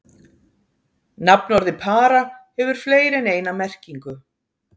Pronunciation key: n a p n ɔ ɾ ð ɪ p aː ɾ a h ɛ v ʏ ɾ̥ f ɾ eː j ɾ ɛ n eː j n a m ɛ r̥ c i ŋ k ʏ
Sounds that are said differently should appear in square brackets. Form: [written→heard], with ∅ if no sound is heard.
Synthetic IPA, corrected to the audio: n a p n ɔ ɾ ð ɪ [p→pʰ] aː ɾ a h ɛ v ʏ ɾ̥ f [ɾ→l] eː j ɾ ɛ n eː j n a m ɛ r̥ c i ŋ k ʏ